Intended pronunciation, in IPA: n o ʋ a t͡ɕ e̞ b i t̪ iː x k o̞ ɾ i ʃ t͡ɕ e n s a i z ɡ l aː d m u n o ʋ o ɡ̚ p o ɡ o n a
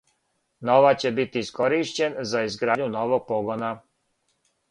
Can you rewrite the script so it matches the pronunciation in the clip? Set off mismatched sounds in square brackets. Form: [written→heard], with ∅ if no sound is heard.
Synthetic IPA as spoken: n o ʋ a t͡ɕ e̞ b i t̪ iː [x→s] k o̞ ɾ i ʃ t͡ɕ e n [s→z] a i z ɡ [l→ɾ] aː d [m→ɲ] u n o ʋ o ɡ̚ p o ɡ o n a